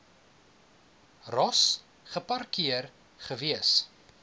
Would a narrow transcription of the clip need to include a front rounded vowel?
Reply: no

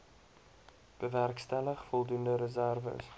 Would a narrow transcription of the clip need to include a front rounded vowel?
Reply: no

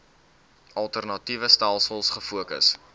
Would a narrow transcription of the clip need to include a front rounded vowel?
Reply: no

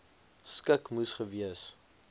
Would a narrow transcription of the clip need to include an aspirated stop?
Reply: no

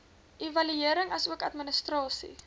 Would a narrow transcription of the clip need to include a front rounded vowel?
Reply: yes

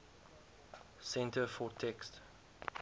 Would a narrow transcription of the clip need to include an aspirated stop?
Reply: yes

